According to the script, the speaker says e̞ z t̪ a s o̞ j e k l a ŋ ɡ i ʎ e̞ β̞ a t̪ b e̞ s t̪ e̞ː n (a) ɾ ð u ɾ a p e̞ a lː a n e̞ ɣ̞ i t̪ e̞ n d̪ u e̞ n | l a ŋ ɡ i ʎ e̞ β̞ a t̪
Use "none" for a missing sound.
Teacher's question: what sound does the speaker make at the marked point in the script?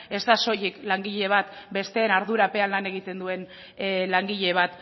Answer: a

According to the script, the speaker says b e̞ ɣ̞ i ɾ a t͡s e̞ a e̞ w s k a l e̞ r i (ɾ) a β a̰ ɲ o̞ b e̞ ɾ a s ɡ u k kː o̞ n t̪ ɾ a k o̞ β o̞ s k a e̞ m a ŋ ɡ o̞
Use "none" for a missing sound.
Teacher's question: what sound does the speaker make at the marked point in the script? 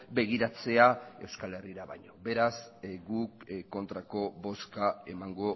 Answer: ɾ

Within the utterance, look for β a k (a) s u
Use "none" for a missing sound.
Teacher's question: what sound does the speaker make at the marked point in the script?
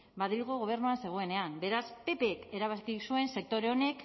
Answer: i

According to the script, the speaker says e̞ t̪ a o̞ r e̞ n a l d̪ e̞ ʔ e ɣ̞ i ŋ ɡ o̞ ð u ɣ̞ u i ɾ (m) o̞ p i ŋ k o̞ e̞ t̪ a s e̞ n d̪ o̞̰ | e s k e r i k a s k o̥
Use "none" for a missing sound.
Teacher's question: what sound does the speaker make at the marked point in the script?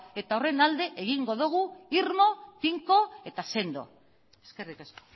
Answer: m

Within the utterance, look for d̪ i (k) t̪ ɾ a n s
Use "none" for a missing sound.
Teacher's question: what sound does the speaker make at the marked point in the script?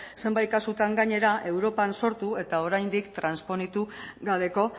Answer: k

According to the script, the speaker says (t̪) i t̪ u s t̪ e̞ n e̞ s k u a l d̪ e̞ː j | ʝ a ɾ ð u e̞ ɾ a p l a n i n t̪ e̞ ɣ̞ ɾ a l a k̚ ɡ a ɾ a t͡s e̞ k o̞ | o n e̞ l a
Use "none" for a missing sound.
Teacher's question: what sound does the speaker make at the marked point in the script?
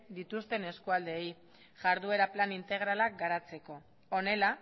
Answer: d̪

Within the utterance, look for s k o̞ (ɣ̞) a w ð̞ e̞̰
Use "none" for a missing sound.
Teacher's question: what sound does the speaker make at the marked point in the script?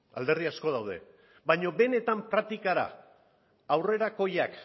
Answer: ð̞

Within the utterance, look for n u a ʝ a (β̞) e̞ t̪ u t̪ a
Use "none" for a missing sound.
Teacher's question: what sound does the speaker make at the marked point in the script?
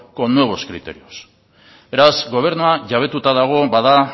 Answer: β̞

